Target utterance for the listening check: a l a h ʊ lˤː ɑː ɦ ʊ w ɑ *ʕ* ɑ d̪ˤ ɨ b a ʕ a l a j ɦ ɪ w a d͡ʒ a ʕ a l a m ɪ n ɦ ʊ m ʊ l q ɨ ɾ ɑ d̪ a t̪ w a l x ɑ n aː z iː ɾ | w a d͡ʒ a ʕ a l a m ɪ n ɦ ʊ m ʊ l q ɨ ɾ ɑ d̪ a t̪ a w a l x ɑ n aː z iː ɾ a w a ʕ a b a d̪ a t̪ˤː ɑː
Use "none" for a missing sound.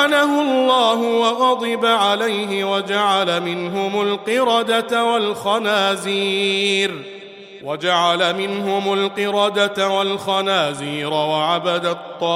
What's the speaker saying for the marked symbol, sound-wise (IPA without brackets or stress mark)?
ɣ